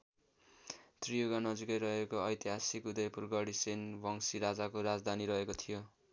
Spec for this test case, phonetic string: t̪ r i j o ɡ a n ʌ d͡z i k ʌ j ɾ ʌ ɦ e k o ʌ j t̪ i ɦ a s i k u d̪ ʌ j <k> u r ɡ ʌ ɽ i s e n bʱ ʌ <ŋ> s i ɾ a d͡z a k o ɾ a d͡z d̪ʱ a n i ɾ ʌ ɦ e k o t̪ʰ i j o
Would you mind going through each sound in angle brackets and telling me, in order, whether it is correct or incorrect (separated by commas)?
incorrect, correct